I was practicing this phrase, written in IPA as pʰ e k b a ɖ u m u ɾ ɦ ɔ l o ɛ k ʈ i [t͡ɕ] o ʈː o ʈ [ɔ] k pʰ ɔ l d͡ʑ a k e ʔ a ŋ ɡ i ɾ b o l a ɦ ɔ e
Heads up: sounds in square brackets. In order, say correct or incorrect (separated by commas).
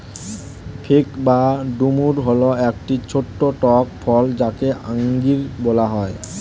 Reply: incorrect, correct